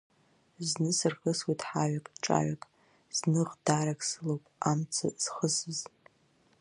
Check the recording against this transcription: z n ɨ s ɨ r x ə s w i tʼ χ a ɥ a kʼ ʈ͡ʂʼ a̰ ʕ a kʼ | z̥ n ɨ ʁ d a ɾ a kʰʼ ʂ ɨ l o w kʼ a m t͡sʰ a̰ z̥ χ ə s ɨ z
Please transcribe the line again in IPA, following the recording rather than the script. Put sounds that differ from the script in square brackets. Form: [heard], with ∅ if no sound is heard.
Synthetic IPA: z n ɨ s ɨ r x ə s w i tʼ [ħ] a ɥ a kʼ ʈ͡ʂʼ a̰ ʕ a kʼ | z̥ n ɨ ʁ d a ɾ a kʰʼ [s] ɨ l o w [pʼ] a m t͡sʰ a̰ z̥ χ ə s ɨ z